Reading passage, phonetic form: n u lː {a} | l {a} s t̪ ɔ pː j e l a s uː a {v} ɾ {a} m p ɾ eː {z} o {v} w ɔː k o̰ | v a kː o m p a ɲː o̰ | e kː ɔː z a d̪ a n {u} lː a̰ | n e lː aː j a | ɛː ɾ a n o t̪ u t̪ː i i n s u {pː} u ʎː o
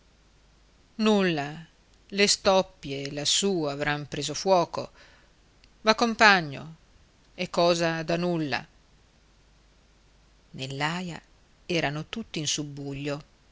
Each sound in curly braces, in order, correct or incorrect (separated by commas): correct, incorrect, correct, correct, correct, incorrect, correct, incorrect